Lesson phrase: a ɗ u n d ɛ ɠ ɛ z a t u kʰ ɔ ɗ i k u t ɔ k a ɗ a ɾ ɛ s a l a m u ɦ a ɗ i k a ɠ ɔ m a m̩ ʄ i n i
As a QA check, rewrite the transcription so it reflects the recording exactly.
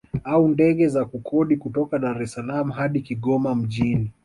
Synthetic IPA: a u n d ɛ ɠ ɛ z a k u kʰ ɔ ɗ i k u t ɔ k a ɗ a ɾ ɛ s a l a m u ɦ a ɗ i k i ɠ ɔ m a m̩ ʄ i n i